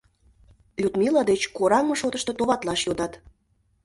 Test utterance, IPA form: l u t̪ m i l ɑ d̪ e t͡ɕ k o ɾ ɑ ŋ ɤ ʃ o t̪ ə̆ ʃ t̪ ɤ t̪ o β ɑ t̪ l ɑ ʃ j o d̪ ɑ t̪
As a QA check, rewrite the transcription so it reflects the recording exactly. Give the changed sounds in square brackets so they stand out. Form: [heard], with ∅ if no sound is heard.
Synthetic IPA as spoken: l u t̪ m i l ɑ d̪ e t͡ɕ k o ɾ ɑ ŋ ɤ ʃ o t̪ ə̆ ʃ t̪ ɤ t̪ o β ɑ t̪ l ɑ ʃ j o d̪ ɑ t̪